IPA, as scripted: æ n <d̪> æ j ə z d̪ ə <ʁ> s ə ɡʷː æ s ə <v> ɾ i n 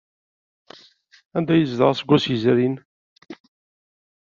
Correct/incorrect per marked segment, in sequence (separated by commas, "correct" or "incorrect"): correct, correct, incorrect